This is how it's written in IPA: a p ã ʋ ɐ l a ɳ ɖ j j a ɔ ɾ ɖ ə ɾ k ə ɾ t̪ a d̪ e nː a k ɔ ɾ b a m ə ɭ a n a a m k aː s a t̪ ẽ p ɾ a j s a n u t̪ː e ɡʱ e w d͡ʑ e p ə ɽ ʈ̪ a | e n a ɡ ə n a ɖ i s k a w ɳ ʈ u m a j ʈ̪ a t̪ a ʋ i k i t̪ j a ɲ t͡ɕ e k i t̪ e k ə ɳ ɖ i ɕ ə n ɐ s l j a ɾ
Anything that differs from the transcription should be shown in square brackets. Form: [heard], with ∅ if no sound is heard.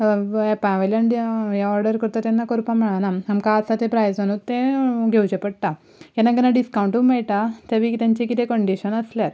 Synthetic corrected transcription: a p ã ʋ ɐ l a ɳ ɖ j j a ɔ ɾ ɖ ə ɾ k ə ɾ t̪ a [t̪] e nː a k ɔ ɾ [p] a m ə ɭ a n a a m k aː s a t̪ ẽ p ɾ a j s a n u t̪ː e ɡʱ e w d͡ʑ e p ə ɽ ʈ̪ a | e n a ɡ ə n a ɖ i s k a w ɳ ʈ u m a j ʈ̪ a t̪ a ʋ i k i t̪ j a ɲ t͡ɕ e k i t̪ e k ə ɳ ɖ i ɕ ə n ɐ s l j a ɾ